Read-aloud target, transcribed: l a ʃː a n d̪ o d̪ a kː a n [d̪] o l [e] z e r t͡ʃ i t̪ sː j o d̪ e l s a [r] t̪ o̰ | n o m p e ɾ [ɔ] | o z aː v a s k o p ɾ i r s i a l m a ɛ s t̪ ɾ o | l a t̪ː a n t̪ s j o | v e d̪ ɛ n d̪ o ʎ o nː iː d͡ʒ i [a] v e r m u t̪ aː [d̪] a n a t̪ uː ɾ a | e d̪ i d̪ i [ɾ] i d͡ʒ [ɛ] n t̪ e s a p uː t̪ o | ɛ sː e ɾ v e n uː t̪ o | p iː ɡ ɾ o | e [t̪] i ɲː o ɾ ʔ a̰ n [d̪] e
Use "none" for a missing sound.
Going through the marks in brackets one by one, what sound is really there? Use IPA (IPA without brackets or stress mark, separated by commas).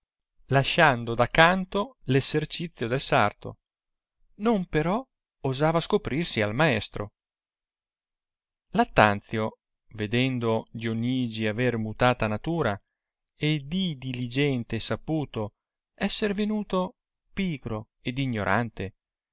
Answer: t̪, e, r, ɔ, a, t̪, l, ɛ, d̪, t̪